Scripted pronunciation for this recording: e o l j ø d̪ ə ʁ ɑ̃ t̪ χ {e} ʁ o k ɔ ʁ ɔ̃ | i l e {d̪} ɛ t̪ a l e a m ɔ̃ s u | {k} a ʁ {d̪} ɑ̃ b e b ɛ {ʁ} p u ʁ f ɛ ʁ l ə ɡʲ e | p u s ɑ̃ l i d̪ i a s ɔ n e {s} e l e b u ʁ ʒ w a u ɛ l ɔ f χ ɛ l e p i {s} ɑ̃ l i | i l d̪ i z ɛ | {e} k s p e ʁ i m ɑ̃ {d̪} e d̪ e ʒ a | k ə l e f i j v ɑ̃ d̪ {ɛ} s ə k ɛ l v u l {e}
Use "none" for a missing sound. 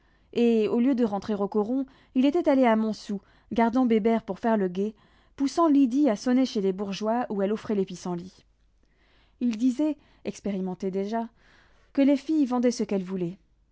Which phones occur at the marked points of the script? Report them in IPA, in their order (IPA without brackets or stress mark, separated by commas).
e, t̪, ɡ, d̪, ʁ, ʃ, s, ɛ, t̪, ɛ, ɛ